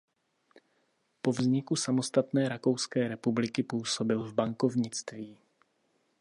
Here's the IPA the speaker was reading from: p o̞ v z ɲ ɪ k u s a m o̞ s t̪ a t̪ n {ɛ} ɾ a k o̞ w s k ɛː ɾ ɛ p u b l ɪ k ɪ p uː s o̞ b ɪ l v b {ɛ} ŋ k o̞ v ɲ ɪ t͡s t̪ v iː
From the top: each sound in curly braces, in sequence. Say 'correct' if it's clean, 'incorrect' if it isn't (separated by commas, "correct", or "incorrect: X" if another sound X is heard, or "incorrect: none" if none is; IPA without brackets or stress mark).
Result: incorrect: ɛː, incorrect: a